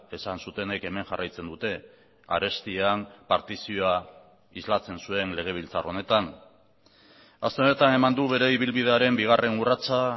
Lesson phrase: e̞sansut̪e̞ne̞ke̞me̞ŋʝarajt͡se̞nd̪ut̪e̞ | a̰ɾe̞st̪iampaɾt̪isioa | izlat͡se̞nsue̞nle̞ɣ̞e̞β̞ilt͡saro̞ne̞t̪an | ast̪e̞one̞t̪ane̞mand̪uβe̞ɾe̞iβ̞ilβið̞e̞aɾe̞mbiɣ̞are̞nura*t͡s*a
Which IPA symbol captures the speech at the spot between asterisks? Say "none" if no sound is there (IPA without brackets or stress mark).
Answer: t͡s